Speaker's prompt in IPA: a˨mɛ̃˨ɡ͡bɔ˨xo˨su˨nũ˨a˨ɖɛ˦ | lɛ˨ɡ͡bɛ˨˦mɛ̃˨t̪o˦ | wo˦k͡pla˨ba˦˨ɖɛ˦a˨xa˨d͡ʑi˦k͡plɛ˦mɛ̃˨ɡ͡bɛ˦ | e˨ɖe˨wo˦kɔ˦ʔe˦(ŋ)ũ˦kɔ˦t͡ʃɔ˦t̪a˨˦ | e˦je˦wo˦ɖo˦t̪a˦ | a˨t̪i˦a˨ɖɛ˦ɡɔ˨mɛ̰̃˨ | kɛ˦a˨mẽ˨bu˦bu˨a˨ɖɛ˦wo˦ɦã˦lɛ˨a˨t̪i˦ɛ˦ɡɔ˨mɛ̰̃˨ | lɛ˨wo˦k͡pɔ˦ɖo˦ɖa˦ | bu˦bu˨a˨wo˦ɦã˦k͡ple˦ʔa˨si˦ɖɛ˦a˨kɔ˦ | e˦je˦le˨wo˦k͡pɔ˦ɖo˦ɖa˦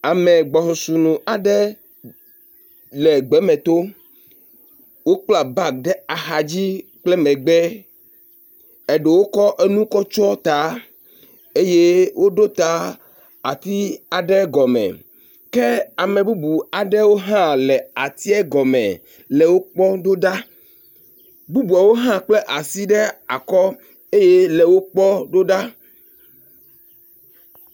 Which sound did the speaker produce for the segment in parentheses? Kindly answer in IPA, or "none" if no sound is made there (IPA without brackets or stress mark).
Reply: n